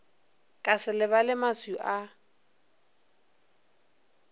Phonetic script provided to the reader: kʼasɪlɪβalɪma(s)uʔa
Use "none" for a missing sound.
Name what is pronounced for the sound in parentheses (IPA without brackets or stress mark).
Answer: s